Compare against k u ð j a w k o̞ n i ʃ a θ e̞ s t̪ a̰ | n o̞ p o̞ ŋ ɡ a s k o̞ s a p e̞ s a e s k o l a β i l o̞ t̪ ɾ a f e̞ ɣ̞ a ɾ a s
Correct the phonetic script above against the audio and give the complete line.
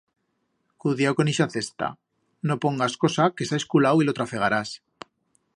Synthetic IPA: k u ð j a w k o̞ n i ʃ a θ e̞ s t̪ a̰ | n o̞ p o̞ ŋ ɡ a s k o̞ s a k e̞ s a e s k u l a w i l o̞ t̪ ɾ a f e̞ ɣ̞ a ɾ a s